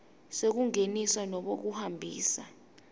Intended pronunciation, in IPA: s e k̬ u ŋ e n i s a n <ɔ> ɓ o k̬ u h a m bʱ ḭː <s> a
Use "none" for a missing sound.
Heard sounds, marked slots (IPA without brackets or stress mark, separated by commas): ɔ, s